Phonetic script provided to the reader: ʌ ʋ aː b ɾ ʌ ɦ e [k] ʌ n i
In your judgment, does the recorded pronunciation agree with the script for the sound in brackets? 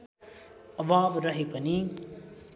no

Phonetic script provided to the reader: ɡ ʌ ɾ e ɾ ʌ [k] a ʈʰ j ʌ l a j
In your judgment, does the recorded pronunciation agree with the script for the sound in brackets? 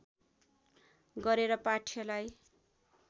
no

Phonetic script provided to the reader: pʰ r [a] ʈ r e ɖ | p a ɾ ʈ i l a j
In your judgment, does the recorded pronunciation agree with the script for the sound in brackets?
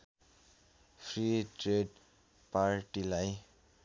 no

